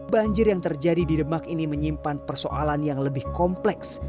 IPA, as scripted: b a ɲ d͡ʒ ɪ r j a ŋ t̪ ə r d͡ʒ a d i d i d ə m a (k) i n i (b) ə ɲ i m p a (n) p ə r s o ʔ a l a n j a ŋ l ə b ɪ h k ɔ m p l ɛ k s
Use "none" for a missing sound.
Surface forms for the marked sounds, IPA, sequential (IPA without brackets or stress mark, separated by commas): k, m, n